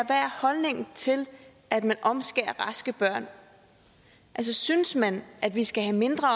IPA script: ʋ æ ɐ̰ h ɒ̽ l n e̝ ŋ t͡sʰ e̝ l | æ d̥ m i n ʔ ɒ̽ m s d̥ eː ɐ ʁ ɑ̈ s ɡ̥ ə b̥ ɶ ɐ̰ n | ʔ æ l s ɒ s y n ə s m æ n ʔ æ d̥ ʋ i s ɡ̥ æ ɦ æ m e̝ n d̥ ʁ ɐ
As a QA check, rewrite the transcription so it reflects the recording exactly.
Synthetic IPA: ʋ æ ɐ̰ h ɒ̽ l n e̝ ŋ t͡sʰ e̝ l | æ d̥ m æ n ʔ ɒ̽ m s ɡ̥ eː ɐ ʁ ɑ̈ s ɡ̥ ə b̥ ɶ ɐ̰ n | ʔ æ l s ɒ s y n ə s m æ n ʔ æ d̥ ʋ i s ɡ̥ æ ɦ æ m e̝ n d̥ ʁ ɐ